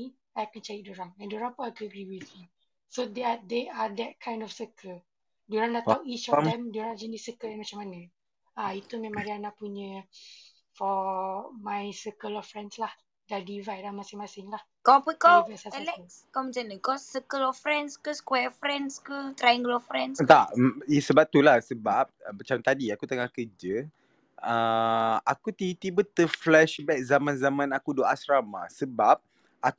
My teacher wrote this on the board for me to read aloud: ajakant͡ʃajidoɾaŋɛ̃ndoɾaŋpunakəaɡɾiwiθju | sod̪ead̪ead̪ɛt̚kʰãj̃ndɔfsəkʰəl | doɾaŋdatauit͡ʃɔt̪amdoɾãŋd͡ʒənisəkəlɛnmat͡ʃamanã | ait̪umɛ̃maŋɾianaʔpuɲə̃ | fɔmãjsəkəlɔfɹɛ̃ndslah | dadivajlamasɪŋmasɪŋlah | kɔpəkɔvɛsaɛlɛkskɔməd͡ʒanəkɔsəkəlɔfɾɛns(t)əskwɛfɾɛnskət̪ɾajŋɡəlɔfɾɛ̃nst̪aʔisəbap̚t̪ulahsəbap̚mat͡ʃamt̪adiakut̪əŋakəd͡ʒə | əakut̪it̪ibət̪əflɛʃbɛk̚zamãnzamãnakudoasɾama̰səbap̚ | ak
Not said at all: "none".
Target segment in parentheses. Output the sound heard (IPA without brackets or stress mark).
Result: k